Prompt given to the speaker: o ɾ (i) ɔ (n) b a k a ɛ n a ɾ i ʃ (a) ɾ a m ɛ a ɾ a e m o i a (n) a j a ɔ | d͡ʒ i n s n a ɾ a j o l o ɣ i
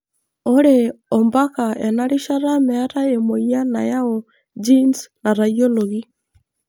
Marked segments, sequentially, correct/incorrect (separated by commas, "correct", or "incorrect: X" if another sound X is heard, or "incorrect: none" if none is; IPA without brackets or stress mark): incorrect: e, incorrect: m, correct, correct